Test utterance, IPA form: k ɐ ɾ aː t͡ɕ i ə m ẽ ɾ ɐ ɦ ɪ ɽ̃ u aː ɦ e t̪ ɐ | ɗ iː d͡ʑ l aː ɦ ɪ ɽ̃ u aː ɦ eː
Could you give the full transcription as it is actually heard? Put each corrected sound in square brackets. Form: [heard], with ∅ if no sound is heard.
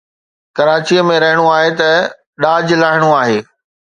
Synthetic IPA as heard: k ɐ ɾ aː t͡ɕ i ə m ẽ ɾ ɐ ɦ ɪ ɽ̃ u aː ɦ e t̪ ɐ | ɗ [aː] d͡ʑ l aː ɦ ɪ ɽ̃ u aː ɦ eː